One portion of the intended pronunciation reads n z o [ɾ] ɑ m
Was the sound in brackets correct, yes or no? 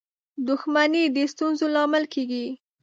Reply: no